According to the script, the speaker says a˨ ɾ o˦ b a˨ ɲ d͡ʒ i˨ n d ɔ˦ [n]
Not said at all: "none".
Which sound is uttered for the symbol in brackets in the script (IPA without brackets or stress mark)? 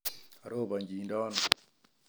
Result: n